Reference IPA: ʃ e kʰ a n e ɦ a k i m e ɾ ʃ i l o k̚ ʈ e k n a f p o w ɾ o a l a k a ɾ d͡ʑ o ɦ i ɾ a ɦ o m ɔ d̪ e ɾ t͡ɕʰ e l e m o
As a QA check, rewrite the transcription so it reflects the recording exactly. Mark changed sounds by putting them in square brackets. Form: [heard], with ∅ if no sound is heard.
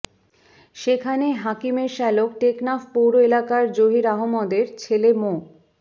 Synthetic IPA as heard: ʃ e kʰ a n e ɦ a k i m e ɾ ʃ [ɛ] l o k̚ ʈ e k n a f p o w ɾ o [e] l a k a ɾ d͡ʑ o ɦ i ɾ a ɦ o m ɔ d̪ e ɾ t͡ɕʰ e l e m o